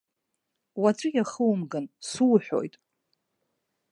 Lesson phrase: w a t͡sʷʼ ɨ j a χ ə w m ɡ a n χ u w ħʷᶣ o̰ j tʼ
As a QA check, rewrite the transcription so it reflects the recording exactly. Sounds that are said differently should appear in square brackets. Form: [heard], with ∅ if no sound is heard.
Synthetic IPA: w a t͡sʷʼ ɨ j a χ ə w m ɡ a n [s] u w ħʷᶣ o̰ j tʼ